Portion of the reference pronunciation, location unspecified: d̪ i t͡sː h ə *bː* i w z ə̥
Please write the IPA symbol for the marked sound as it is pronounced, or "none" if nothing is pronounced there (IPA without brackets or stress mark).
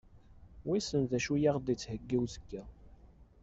ɡː